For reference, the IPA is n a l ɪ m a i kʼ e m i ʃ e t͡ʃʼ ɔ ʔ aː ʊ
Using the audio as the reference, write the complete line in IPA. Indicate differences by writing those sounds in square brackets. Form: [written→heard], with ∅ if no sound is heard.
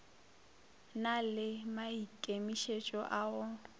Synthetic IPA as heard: n a l ɪ m a i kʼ e m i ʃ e t͡ʃʼ ɔ ʔ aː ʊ